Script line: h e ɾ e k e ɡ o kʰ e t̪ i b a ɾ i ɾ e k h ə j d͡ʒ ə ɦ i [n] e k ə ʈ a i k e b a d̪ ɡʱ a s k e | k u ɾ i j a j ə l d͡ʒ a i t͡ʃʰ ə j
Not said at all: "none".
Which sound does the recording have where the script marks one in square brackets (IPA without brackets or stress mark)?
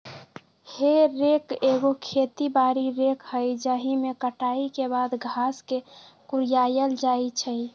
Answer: m